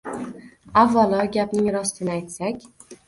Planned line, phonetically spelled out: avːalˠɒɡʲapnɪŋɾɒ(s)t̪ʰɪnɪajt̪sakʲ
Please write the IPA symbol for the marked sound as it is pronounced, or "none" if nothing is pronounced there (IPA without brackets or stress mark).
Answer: s